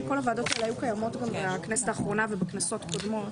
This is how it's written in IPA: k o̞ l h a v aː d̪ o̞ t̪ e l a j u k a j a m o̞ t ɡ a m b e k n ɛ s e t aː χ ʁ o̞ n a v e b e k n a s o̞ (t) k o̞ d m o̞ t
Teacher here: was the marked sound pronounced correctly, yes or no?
yes